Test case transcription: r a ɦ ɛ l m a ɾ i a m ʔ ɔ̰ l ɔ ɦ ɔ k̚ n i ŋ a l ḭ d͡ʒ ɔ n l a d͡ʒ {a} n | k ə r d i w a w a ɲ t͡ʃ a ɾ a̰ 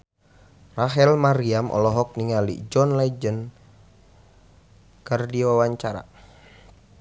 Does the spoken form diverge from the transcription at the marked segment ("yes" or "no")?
yes